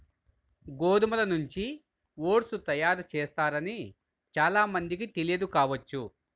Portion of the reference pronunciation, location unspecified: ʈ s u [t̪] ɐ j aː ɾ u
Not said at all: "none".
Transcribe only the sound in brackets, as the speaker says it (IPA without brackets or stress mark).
t̪